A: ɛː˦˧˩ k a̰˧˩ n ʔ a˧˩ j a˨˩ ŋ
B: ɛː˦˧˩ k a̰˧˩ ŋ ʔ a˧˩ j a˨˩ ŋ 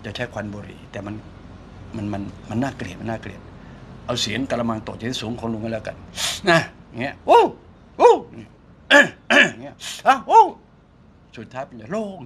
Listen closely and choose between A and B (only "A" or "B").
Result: A